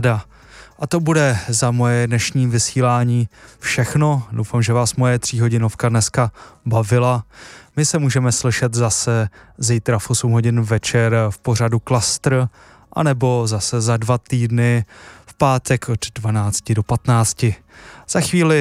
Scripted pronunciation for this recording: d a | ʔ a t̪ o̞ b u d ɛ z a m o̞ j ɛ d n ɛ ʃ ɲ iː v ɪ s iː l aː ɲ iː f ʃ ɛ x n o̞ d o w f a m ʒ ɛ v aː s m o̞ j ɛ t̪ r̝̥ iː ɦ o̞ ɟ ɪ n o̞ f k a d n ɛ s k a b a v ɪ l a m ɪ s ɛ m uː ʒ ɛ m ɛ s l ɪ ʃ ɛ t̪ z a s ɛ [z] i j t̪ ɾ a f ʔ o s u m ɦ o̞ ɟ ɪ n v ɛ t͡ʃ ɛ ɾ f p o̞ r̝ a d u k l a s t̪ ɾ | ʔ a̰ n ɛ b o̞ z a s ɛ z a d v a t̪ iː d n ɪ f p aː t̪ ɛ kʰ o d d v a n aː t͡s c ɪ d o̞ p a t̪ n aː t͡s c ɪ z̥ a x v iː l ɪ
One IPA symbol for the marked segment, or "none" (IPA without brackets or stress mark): z